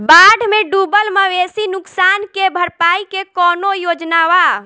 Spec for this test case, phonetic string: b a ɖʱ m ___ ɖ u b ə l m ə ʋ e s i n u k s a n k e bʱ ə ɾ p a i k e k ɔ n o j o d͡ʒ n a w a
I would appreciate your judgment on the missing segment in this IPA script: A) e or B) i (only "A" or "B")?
A